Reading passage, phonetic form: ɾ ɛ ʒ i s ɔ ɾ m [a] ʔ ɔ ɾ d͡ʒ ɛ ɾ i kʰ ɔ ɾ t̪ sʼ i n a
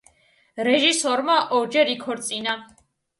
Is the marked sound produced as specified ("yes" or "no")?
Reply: yes